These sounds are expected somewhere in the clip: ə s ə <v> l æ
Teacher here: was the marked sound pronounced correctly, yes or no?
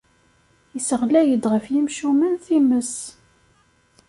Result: no